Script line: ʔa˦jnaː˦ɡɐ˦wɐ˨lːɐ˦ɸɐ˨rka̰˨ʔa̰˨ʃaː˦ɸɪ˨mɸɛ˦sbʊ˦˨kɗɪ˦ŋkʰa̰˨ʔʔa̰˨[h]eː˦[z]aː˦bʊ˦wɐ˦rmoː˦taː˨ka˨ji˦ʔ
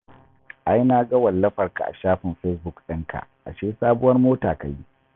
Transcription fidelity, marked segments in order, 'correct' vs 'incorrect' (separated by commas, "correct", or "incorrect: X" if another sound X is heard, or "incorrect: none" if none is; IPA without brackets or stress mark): incorrect: ʃ, incorrect: s